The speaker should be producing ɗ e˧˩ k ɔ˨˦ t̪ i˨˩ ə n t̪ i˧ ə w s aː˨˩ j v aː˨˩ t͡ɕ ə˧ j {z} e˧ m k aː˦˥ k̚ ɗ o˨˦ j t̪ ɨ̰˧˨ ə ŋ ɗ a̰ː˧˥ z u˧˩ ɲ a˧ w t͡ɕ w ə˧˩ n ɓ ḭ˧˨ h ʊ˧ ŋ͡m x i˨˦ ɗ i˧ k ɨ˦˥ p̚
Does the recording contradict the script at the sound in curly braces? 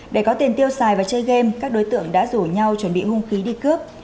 yes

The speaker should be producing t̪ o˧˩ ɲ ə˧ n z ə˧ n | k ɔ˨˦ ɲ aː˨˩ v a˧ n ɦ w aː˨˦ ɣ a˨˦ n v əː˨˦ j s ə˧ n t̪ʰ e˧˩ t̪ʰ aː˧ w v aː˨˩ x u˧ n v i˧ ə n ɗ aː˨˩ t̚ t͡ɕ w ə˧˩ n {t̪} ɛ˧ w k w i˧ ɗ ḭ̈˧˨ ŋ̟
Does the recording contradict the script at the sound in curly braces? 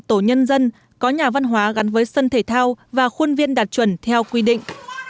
yes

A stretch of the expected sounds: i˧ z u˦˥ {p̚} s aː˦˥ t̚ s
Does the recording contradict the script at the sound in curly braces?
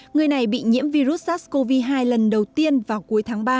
yes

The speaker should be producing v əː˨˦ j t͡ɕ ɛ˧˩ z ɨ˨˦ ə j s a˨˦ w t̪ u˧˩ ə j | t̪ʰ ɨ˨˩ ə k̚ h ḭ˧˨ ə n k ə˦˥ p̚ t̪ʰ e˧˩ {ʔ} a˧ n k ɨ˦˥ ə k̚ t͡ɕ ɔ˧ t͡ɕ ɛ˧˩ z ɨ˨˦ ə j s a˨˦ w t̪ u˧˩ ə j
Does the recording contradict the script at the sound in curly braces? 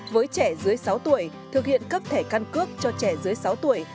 yes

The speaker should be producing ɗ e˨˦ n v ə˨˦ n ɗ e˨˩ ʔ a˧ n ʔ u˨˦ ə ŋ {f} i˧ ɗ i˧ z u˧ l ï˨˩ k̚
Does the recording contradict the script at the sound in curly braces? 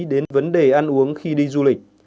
yes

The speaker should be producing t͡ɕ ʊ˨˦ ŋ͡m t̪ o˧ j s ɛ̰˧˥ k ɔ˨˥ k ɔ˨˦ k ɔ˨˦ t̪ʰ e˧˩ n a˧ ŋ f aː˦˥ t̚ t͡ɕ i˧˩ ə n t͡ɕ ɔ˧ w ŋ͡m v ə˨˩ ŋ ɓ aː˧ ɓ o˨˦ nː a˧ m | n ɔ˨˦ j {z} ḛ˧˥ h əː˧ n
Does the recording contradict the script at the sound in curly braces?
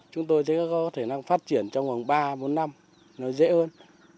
no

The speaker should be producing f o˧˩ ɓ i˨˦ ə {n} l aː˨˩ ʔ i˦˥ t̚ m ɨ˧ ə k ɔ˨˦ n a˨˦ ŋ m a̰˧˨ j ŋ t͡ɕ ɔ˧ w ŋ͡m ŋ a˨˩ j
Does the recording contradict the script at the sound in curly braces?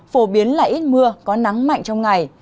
no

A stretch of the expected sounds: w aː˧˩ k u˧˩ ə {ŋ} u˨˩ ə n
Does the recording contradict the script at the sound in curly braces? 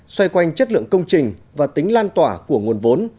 no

